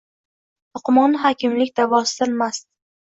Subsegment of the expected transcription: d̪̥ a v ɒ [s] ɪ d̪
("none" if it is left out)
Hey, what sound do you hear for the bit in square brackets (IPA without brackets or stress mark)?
s